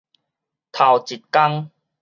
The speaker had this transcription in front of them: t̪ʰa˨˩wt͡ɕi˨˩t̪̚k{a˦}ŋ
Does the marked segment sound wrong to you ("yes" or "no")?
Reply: no